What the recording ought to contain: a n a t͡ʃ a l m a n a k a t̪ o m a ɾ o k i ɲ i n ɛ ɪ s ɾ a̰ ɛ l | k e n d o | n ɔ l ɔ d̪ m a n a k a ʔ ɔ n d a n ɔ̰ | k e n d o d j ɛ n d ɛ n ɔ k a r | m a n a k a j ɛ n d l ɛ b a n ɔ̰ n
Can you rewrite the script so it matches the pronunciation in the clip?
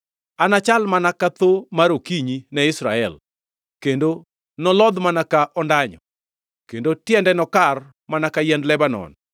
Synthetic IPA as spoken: a n a t͡ʃ a l m a n a k a t̪ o m a ɾ o k i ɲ i n ɛ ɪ s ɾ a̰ ɛ l | k e n d o | n ɔ l ɔ d̪ m a n a k a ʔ ɔ n d a ɲ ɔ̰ | k e n d o t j ɛ n d ɛ n ɔ k a r | m a n a k a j ɛ n d l ɛ b a n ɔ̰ n